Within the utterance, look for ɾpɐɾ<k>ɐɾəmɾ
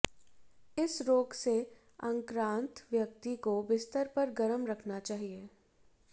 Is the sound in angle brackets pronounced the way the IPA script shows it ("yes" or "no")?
no